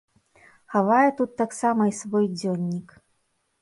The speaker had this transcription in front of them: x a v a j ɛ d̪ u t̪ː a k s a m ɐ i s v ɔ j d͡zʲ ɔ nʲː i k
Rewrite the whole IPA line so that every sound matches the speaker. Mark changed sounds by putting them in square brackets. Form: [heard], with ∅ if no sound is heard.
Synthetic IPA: x a v a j ɛ [t̪] u t̪ː a k s a m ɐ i s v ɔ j d͡zʲ ɔ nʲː i k